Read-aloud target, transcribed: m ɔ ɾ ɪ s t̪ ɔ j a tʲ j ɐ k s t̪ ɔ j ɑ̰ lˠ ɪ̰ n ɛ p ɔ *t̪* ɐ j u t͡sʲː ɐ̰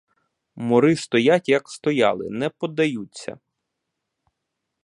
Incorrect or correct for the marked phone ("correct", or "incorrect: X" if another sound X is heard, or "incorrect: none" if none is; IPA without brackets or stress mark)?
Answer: incorrect: d̪